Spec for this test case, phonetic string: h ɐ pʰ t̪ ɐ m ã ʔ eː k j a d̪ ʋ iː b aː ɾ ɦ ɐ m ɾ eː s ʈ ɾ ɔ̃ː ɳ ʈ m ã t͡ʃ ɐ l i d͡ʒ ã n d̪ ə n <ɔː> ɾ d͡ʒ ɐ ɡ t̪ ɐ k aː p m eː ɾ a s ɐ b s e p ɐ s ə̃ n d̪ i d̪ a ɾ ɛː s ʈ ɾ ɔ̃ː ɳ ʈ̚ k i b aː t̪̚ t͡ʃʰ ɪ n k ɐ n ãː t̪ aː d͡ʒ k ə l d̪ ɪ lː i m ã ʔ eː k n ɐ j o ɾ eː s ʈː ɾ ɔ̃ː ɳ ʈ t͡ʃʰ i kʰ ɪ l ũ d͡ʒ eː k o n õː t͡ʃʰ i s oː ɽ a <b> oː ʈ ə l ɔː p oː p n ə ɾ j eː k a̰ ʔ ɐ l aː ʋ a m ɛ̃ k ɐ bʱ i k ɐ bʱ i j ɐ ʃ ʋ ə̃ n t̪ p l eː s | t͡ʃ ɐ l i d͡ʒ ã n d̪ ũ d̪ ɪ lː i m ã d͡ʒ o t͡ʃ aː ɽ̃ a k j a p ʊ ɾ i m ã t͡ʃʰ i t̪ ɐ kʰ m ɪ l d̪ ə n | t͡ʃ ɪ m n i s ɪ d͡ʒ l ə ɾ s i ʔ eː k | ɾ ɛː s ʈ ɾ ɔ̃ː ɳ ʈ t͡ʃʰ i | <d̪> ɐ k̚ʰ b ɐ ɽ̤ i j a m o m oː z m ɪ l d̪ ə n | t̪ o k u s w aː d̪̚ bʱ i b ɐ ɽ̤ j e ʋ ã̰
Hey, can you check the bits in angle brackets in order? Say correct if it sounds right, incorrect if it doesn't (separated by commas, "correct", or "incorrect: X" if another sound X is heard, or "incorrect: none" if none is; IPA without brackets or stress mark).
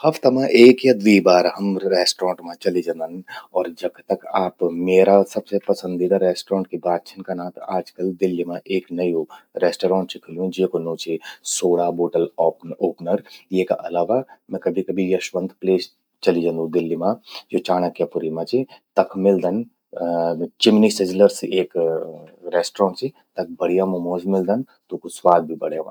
correct, correct, incorrect: t̪